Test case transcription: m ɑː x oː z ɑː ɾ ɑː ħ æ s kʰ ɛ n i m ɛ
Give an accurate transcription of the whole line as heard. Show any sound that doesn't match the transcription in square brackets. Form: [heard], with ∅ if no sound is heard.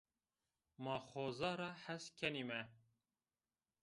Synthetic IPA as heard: m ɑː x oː z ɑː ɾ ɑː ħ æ s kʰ ɛ n i m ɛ

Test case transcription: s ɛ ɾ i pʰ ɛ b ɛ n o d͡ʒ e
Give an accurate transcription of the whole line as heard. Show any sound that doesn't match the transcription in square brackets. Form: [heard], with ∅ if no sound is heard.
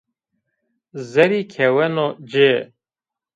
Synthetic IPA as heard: [z] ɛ ɾ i [kʰ] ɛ [w] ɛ n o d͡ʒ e

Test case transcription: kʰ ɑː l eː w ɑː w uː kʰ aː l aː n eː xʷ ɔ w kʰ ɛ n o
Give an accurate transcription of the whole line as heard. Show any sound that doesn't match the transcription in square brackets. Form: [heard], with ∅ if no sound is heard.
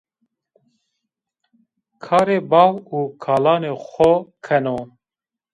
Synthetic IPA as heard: kʰ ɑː [ɾ] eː [b] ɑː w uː kʰ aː l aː n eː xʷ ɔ [∅] kʰ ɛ n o

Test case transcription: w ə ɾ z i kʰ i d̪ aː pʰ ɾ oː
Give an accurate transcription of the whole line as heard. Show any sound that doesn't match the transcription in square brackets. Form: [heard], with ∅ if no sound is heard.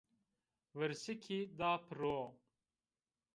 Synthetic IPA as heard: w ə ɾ [s] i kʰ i d̪ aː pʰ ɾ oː

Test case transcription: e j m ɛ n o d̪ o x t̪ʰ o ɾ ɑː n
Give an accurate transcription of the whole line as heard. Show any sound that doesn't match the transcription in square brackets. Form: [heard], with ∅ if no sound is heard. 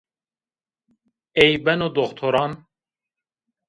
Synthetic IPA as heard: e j [b] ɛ n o d̪ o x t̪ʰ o ɾ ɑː n

